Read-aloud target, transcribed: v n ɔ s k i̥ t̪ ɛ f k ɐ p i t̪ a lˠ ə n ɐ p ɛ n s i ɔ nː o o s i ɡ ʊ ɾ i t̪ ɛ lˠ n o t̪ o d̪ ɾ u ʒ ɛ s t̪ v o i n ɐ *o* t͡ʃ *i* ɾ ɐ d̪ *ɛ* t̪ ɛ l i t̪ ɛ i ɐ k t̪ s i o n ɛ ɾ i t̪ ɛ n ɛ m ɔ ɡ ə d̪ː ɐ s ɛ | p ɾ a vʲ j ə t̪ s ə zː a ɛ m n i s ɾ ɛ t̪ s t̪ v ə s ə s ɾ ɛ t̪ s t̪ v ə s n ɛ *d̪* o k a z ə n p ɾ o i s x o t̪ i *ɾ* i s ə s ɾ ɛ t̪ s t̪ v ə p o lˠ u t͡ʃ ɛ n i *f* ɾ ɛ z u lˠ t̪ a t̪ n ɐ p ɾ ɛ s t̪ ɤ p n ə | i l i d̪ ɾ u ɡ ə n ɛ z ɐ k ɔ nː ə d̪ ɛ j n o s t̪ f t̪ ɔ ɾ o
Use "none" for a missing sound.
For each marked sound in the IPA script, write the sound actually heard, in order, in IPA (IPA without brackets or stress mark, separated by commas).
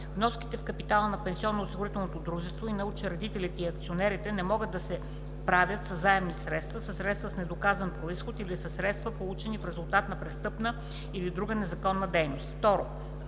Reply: u, ɛ, i, d̪, l, f